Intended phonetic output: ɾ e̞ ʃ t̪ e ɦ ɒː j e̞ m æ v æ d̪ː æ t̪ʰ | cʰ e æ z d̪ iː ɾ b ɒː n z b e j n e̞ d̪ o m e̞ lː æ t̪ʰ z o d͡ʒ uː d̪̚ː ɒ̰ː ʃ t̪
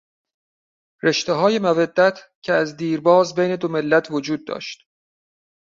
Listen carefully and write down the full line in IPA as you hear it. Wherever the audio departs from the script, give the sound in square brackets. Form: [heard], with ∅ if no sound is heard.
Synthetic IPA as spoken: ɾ e̞ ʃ t̪ e ɦ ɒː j e̞ m æ v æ d̪ː æ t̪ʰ | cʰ e æ z d̪ iː ɾ b ɒː [∅] z b e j n e̞ d̪ o m e̞ lː æ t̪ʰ [v] o d͡ʒ uː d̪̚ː ɒ̰ː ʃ t̪